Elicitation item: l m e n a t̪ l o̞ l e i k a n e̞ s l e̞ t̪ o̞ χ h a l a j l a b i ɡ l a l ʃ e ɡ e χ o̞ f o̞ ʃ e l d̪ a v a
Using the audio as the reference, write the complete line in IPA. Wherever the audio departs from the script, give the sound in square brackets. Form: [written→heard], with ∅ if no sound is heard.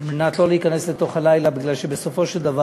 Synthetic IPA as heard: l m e n a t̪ l o̞ l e i k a n e̞ s l e̞ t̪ o̞ χ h a l a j l a b i ɡ l a l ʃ e [ɡ→b] e [χ→s] o̞ f o̞ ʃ e l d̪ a v a